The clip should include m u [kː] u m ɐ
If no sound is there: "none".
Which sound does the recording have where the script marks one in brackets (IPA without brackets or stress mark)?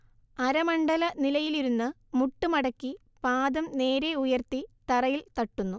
ʈː